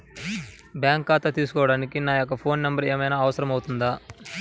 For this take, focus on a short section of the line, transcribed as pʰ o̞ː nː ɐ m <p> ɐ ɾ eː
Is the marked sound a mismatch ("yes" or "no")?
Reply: yes